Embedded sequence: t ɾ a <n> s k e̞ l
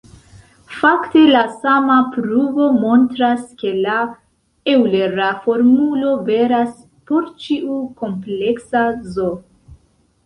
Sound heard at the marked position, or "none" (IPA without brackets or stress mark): none